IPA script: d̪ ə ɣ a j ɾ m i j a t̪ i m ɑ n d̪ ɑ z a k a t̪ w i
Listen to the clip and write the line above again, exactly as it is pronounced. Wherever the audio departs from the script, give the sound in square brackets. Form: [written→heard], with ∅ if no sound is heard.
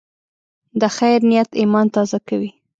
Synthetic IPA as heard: d̪ ə [ɣ→x] a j ɾ [m→n] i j a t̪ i m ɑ n [d̪→t̪] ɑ z a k a [t̪→∅] w i

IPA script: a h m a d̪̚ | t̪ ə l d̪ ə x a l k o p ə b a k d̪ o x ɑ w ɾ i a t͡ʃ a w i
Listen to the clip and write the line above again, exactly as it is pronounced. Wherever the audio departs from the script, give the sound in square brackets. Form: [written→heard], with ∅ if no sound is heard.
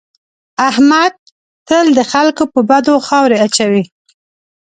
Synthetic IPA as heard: a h m a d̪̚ | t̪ ə l d̪ ə x a l k o p ə b a [k→∅] d̪ o x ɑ w ɾ [i→e] a t͡ʃ a w i

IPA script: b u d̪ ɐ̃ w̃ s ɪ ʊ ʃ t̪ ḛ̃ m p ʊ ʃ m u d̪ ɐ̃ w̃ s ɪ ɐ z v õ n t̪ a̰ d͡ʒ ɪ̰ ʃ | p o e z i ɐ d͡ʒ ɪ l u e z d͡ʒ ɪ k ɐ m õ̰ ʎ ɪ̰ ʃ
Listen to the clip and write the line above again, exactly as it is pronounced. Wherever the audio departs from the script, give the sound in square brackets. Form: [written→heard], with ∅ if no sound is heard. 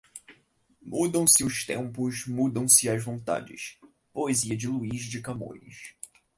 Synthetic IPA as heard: [b→m] u d̪ ɐ̃ w̃ s ɪ ʊ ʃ t̪ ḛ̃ m p ʊ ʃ m u d̪ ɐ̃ w̃ s ɪ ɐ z v õ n t̪ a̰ d͡ʒ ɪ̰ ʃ | p o e z i ɐ d͡ʒ ɪ l u [e→i] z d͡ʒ ɪ k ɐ m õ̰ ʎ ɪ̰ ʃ

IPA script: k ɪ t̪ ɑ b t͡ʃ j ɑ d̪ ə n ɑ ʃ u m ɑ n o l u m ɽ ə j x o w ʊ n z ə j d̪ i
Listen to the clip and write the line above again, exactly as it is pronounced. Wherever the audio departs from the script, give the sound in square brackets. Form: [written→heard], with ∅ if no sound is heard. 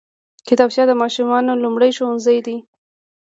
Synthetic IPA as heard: k ɪ t̪ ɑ b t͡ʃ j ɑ d̪ ə [n→m] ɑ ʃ u m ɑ n o l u m ɽ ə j [x→ʃ] o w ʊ n z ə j d̪ i

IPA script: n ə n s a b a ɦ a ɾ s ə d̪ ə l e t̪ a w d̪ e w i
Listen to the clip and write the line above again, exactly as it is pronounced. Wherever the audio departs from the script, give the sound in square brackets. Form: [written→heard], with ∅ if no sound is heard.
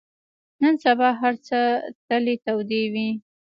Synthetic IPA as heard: n ə n s a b [a→ɑ] ɦ a ɾ [s→t͡s] ə [d̪→t̪] ə l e t̪ a w d̪ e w i

